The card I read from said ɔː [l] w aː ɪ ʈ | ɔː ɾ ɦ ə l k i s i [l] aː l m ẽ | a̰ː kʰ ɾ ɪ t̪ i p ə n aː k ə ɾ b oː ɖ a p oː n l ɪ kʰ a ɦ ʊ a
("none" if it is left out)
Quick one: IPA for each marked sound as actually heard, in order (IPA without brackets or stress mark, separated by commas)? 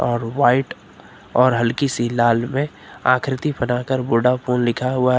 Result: ɾ, l